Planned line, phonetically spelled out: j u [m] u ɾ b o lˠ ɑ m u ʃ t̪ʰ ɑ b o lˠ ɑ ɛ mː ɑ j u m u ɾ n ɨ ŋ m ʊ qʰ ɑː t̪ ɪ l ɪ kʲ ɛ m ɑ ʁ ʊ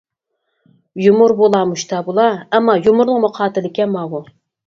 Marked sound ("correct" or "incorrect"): correct